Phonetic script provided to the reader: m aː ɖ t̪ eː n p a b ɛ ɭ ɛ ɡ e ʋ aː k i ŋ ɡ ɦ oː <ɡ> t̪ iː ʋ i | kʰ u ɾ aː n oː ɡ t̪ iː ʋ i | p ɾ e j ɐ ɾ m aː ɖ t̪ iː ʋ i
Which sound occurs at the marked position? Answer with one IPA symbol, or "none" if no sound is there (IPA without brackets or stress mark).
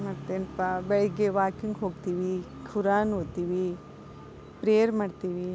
ɡ